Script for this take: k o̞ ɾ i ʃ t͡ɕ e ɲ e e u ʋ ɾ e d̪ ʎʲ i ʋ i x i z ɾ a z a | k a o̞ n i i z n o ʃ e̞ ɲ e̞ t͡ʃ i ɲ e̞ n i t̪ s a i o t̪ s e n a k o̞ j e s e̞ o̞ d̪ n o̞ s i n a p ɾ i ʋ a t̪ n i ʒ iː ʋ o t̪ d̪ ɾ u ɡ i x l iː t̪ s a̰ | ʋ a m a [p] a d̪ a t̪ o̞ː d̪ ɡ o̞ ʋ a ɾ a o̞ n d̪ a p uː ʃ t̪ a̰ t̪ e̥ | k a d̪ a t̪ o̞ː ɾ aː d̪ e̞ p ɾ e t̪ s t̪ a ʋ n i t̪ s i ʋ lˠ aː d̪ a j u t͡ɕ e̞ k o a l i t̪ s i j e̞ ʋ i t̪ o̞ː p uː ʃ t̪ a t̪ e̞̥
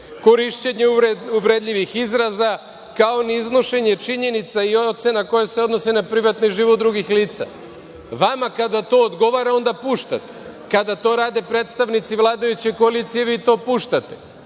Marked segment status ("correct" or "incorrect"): incorrect